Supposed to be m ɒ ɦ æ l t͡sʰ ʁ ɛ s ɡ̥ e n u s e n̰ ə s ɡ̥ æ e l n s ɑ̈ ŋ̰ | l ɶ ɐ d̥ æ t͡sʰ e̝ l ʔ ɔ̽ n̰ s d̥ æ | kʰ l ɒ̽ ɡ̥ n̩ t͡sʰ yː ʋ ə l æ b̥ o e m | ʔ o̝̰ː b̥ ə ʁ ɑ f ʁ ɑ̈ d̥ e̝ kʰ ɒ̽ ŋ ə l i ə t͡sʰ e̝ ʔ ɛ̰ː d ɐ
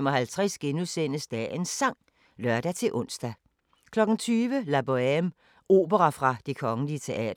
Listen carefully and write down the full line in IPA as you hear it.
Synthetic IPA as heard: m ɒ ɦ æ l t͡sʰ ʁ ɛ s ɡ̥ e n u s e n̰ ə s d̥ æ e n s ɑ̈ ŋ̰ | l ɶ ɐ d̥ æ t͡sʰ e̝ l ʔ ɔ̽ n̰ s d̥ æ | kʰ l ɒ̽ ɡ̥ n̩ t͡sʰ yː ʋ ə l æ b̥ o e m | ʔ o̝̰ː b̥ ə ʁ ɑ f ʁ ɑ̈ d̥ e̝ kʰ ɒ̽ ŋ ə l i ə t͡sʰ e̝ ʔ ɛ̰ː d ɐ